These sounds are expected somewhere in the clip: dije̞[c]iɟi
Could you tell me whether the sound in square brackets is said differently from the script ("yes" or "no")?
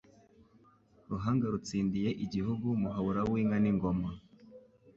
yes